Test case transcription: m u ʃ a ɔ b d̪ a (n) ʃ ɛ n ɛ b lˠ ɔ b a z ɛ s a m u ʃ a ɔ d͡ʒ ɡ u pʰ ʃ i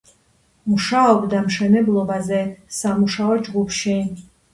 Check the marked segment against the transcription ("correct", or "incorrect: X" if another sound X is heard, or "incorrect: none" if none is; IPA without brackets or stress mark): incorrect: m